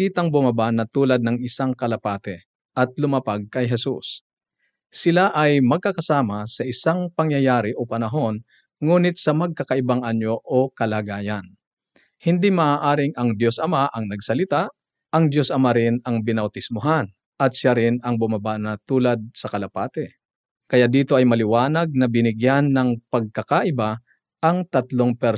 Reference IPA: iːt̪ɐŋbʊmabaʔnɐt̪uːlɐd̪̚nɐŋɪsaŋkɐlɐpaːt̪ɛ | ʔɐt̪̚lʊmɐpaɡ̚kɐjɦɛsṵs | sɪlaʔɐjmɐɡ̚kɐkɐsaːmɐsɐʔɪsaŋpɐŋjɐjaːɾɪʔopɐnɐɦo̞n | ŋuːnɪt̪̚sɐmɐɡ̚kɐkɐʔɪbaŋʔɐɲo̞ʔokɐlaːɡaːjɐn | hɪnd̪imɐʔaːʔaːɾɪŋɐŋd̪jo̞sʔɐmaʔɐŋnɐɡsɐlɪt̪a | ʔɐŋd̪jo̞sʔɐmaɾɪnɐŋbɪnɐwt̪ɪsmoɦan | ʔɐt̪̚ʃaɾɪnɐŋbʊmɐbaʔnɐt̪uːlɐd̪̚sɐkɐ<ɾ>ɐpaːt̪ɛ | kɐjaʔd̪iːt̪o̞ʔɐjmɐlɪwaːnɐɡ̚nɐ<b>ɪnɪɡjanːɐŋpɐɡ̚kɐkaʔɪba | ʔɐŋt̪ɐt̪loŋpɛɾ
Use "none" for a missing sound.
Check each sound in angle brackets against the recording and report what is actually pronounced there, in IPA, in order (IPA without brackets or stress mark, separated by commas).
l, b